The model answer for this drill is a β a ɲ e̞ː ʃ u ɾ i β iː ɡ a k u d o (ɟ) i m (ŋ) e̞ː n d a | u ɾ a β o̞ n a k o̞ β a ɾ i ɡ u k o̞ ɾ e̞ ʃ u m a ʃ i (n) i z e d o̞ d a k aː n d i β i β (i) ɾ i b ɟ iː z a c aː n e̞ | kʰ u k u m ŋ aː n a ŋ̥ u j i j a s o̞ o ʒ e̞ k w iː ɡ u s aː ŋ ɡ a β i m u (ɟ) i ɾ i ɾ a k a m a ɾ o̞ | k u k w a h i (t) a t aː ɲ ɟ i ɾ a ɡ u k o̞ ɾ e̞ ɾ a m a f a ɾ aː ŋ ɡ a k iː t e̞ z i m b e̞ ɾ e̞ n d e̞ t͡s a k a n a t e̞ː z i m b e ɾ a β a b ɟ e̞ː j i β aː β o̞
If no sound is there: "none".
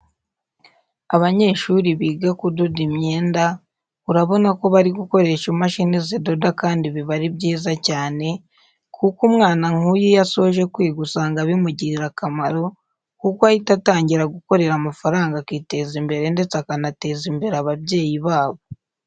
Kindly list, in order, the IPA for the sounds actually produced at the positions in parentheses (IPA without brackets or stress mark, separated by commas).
d, ɲ, n, a, ɟ, t